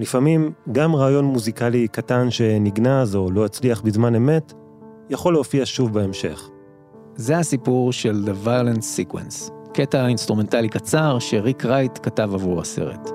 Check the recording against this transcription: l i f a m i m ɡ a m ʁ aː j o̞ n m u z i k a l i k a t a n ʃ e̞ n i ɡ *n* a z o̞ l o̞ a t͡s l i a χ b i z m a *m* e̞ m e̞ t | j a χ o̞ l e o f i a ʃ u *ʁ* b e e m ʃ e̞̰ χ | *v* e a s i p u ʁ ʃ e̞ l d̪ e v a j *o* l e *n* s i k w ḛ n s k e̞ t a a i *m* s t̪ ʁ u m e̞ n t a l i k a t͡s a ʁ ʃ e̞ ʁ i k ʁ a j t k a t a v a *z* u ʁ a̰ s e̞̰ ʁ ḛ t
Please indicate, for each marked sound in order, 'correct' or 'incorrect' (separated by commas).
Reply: correct, incorrect, incorrect, incorrect, correct, correct, incorrect, incorrect